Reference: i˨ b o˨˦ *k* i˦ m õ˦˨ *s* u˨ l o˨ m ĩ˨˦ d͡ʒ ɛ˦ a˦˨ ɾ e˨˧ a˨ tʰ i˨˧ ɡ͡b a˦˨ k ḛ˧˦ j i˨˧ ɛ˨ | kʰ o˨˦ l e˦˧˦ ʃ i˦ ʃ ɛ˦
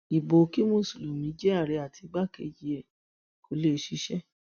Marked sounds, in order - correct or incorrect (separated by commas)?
correct, correct